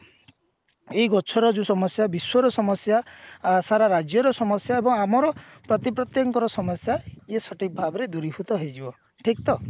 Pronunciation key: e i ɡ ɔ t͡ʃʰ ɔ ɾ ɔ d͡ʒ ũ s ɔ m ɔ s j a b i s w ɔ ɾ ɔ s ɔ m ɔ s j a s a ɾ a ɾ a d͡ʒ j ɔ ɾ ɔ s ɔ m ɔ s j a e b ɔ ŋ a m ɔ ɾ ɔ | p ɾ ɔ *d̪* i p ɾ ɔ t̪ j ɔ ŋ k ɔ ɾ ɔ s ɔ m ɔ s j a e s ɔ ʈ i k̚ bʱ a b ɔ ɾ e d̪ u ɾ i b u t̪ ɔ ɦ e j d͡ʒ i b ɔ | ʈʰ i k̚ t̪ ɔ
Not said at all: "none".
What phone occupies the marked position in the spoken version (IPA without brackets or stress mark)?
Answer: t̪